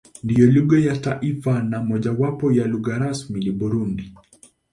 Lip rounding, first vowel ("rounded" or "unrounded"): unrounded